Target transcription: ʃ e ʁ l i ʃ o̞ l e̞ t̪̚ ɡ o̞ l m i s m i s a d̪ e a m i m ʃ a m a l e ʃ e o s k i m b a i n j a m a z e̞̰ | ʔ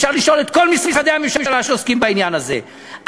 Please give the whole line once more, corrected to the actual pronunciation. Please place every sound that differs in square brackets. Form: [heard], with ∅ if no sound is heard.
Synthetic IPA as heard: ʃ [a] ʁ l i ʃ o̞ l e̞ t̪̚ [k] o̞ l m i s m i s a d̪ e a m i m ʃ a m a l [a] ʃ e o s k i m b a i n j a [n] a z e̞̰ | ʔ